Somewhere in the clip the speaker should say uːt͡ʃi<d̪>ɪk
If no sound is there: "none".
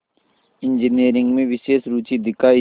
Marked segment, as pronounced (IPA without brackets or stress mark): d̪